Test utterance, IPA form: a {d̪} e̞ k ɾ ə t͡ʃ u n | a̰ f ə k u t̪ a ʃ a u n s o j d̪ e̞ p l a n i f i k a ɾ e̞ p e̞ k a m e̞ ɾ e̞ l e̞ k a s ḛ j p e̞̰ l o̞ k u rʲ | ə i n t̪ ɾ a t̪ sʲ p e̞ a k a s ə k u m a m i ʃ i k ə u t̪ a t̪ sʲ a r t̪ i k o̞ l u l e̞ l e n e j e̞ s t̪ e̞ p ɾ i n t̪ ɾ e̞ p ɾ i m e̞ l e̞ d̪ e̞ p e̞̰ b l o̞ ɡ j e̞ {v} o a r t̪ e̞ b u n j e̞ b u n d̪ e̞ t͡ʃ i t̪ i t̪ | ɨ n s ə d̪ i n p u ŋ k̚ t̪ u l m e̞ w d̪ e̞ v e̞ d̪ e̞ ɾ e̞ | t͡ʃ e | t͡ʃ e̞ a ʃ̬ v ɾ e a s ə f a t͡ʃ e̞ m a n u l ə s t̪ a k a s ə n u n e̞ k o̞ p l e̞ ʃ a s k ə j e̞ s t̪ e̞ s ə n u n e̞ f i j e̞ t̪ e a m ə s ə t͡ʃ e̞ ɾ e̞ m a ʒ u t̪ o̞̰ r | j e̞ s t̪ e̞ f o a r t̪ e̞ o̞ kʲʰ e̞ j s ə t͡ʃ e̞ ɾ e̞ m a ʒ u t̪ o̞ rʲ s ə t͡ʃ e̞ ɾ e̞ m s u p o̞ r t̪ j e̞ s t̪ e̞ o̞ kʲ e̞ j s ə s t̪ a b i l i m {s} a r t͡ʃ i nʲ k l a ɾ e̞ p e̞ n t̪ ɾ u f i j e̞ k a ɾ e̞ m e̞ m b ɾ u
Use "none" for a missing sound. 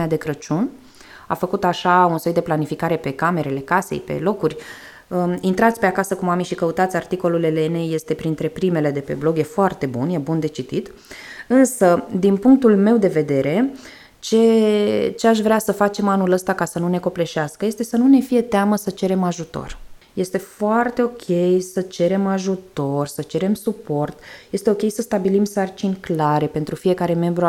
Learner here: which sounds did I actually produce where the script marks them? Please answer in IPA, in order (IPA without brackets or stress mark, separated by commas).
d̪, f, s